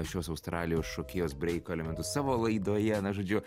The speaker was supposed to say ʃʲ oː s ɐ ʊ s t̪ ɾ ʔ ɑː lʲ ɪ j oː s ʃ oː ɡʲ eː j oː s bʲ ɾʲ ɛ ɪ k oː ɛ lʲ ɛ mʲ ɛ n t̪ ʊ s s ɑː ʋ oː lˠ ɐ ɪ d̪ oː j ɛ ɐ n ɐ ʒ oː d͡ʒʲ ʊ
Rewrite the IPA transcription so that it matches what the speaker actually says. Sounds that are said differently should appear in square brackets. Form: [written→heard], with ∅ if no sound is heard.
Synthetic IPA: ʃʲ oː s ɐ ʊ s t̪ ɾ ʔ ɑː lʲ ɪ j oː s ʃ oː [ɡʲ→kʲ] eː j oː s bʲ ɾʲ ɛ ɪ k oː ɛ lʲ ɛ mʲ ɛ n t̪ ʊ s s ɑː ʋ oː lˠ ɐ ɪ d̪ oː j ɛ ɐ n ɐ ʒ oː d͡ʒʲ ʊ

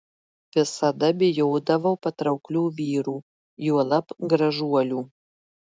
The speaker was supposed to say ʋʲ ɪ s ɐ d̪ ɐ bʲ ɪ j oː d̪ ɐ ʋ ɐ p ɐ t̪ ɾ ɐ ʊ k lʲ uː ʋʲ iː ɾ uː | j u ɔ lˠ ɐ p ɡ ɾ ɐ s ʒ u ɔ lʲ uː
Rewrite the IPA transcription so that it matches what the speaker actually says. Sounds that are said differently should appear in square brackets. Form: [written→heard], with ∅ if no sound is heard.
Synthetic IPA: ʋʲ ɪ s ɐ d̪ ɐ bʲ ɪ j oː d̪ ɐ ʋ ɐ p ɐ t̪ ɾ ɐ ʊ k lʲ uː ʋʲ iː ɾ uː | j u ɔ lˠ ɐ p ɡ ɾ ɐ [s→∅] ʒ u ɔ lʲ uː

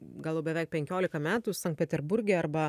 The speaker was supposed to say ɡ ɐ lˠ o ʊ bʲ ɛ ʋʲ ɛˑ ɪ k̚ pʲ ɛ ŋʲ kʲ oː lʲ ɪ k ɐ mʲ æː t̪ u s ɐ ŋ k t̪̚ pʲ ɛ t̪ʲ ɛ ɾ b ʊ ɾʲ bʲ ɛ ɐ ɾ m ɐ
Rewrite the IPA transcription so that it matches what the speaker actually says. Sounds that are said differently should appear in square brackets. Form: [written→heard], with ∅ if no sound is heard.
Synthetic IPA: ɡ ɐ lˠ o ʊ bʲ ɛ ʋʲ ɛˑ ɪ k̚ pʲ ɛ ŋʲ kʲ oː lʲ ɪ k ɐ mʲ æː t̪ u s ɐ ŋ k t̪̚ pʲ ɛ t̪ʲ ɛ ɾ b ʊ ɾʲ [bʲ→ɡʲ] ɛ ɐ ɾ [m→b] ɐ

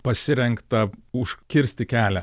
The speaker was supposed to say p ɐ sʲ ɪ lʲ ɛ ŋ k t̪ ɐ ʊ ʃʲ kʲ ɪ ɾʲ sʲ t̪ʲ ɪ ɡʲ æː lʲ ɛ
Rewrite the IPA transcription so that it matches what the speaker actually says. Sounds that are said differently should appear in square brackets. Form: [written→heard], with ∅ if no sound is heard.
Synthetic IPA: p ɐ sʲ ɪ [lʲ→ɾʲ] ɛ ŋ k t̪ ɐ ʊ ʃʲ kʲ ɪ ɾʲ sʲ t̪ʲ ɪ [ɡʲ→kʲ] æː lʲ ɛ

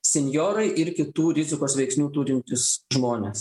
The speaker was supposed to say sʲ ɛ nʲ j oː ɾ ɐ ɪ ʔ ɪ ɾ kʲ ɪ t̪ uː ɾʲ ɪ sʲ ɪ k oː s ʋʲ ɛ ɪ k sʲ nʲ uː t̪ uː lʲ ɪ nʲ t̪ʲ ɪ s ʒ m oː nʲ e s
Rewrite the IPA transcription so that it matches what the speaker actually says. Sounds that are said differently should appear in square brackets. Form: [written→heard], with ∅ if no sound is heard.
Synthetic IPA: sʲ ɛ nʲ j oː ɾ ɐ ɪ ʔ ɪ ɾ kʲ ɪ t̪ uː ɾʲ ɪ [sʲ→zʲ] ɪ k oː s ʋʲ ɛ ɪ k sʲ nʲ uː t̪ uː [lʲ→ɾʲ] ɪ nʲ t̪ʲ ɪ s ʒ m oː nʲ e s

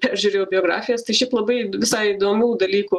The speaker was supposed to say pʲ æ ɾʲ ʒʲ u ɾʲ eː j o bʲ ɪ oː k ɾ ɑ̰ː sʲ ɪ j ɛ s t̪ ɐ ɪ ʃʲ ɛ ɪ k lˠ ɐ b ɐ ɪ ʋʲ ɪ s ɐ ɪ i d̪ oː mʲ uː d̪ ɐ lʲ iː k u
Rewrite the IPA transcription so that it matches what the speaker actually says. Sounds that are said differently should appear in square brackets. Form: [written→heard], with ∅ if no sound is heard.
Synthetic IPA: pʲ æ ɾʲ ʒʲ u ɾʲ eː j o bʲ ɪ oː [k→ɡ] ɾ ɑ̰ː [sʲ→fʲ] ɪ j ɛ s t̪ ɐ ɪ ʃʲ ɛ ɪ [k→p] lˠ ɐ b ɐ ɪ ʋʲ ɪ s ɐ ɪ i d̪ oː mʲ uː d̪ ɐ lʲ iː k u

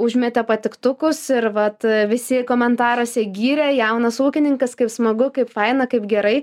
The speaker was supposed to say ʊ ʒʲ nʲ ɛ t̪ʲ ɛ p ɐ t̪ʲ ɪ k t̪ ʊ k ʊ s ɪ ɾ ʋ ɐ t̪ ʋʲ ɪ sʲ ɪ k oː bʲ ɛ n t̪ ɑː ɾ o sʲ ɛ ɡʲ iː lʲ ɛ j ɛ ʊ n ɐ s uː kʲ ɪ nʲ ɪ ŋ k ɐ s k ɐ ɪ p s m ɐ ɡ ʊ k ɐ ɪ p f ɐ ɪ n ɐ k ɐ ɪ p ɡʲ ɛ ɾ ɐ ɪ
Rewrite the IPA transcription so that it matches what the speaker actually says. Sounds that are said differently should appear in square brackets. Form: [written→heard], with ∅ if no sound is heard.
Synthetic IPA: ʊ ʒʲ [nʲ→mʲ] ɛ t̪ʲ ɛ p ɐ t̪ʲ ɪ k t̪ ʊ k ʊ s ɪ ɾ ʋ ɐ t̪ ʋʲ ɪ sʲ ɪ k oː [bʲ→mʲ] ɛ n t̪ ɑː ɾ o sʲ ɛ ɡʲ iː [lʲ→ɾʲ] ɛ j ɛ ʊ n ɐ s uː kʲ ɪ nʲ ɪ ŋ k ɐ s k ɐ ɪ p s m ɐ ɡ ʊ k ɐ ɪ p f ɐ ɪ n ɐ k ɐ ɪ p ɡʲ ɛ ɾ ɐ ɪ

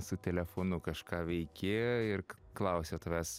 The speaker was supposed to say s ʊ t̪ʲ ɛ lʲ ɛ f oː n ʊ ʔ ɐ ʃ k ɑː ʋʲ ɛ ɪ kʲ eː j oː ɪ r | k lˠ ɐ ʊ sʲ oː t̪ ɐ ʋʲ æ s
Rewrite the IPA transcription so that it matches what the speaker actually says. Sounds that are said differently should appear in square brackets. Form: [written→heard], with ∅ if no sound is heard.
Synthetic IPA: s ʊ t̪ʲ ɛ lʲ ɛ f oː n ʊ [ʔ→k] ɐ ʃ k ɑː ʋʲ ɛ ɪ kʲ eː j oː ɪ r | k lˠ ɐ ʊ sʲ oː t̪ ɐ ʋʲ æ s

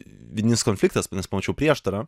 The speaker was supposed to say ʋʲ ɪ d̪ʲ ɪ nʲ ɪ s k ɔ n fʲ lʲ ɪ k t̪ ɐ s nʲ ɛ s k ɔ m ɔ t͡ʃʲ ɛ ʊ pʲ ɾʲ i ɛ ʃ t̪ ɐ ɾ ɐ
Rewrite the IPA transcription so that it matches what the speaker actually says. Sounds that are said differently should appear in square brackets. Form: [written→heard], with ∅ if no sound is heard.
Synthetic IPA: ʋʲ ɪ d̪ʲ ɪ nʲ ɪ s k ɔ n fʲ lʲ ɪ k t̪ ɐ s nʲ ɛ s [k→p] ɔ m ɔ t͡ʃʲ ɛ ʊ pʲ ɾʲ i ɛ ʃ t̪ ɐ ɾ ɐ

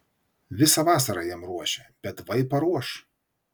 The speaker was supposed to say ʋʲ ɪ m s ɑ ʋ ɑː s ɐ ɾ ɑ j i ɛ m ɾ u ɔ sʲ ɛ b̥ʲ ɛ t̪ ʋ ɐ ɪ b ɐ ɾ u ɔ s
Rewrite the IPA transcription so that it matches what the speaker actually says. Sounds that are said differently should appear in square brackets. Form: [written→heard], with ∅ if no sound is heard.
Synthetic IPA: ʋʲ ɪ [m→∅] s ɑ ʋ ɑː s ɐ ɾ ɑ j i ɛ m ɾ u ɔ [sʲ→ʃʲ] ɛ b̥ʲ ɛ t̪ ʋ ɐ ɪ [b→p] ɐ ɾ u ɔ [s→ʃ]

